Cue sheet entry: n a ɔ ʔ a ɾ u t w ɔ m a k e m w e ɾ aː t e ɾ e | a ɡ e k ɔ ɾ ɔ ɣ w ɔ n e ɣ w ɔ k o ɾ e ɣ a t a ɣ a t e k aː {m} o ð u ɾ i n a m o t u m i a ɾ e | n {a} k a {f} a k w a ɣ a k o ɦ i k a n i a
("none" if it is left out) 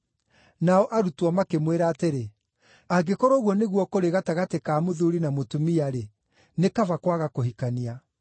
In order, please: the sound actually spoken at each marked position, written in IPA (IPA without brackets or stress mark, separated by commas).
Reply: m, e, v